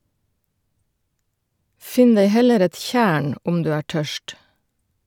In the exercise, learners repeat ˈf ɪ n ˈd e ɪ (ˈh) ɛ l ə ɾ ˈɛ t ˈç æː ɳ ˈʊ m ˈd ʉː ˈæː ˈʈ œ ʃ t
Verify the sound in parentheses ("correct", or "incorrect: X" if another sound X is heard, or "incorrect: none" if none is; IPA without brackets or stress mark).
correct